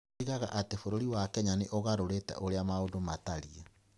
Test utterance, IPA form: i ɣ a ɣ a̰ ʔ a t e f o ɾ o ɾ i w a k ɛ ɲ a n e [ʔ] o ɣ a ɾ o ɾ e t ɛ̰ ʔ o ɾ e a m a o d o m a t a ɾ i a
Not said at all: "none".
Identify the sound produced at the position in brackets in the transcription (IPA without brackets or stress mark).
ʔ